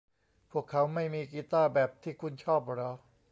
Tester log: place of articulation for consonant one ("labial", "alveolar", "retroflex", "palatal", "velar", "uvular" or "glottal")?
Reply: labial